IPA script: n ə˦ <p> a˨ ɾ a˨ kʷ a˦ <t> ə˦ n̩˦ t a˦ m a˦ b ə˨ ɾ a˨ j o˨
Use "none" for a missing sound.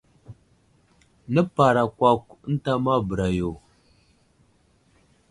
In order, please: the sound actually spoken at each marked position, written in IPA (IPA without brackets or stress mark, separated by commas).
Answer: p, k